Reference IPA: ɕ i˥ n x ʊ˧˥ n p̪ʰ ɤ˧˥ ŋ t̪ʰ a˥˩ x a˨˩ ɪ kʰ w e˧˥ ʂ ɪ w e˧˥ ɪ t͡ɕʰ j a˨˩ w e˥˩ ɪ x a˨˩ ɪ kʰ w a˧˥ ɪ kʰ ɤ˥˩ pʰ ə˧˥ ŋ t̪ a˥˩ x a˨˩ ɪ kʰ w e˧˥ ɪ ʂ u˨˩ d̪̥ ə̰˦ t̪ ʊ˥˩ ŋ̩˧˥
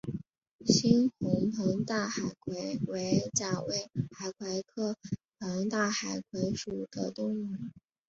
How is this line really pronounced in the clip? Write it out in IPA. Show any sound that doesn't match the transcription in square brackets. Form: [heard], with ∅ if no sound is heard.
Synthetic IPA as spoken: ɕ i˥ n x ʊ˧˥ [ŋ] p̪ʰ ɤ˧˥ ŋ [t̪] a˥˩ x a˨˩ ɪ kʰ w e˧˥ [∅] ɪ w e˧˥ ɪ [t͡ɕ] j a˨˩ w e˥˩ ɪ x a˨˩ ɪ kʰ w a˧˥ ɪ kʰ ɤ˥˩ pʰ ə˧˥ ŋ t̪ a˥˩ x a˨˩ ɪ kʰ w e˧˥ ɪ ʂ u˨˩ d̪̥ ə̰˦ t̪ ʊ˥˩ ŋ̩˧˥